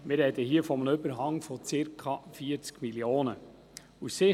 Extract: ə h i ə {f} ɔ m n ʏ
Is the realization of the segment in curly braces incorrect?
no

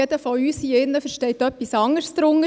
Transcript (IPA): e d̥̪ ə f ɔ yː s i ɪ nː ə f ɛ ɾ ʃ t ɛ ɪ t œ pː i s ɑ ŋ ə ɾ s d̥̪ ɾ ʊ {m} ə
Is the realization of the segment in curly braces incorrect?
yes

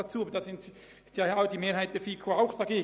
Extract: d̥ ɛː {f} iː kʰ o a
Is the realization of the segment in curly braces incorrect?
no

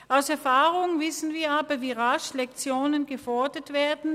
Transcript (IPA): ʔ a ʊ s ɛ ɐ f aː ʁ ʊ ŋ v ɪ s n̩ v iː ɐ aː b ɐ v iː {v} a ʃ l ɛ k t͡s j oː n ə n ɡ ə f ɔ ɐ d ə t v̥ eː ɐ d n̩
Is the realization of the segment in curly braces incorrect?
yes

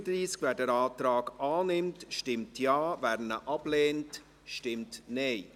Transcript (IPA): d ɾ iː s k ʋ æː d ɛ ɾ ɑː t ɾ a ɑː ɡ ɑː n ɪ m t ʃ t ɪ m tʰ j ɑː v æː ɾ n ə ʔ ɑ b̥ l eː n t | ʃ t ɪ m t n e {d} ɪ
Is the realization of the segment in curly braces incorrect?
yes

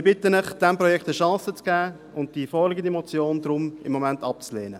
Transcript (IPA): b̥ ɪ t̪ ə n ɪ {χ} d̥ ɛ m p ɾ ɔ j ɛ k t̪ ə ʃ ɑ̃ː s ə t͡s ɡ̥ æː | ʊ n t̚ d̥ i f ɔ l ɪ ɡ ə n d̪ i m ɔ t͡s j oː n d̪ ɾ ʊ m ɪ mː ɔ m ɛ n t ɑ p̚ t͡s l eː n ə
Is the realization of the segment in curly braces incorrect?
no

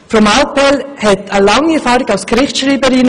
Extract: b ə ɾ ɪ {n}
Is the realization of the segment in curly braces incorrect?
no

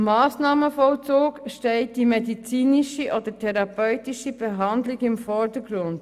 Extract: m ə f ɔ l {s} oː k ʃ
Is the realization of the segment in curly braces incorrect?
yes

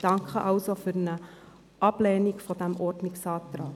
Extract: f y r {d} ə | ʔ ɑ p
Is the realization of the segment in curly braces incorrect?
yes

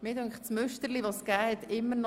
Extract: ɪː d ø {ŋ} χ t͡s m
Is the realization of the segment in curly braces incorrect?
no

